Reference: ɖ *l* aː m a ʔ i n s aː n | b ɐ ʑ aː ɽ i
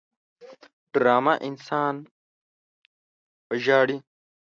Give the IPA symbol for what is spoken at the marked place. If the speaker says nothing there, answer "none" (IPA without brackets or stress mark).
ɾ